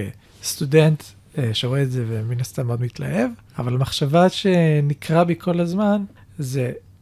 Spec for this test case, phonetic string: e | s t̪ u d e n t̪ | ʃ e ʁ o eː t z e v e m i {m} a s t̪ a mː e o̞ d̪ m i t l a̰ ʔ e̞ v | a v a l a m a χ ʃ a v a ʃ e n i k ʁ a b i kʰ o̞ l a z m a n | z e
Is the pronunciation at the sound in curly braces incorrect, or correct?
incorrect